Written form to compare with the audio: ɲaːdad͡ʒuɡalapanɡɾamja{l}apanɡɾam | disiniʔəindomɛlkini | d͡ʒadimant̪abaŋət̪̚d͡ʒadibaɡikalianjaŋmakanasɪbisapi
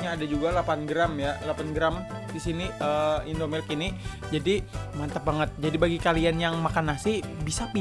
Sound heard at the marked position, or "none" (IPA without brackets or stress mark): l